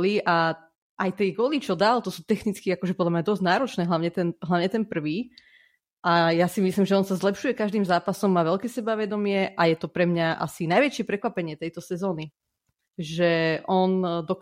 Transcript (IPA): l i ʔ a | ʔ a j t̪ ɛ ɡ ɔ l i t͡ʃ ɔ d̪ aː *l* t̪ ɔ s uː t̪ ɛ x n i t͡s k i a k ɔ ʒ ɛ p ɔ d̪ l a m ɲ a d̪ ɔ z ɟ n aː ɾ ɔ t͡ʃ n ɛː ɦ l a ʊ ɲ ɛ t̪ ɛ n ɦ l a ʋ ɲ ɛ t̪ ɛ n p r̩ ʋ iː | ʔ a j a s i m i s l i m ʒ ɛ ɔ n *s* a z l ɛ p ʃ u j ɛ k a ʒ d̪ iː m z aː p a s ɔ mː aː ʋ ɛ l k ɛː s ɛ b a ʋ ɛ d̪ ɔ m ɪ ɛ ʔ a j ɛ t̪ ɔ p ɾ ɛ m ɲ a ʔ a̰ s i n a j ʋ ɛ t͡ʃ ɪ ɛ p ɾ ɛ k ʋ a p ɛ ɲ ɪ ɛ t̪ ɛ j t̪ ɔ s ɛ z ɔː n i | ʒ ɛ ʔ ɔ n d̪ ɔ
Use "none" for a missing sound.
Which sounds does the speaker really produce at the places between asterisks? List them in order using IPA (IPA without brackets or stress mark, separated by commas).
l, s